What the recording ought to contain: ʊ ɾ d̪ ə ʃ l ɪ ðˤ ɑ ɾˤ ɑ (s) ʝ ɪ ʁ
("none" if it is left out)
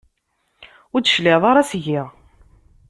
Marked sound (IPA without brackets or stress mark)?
s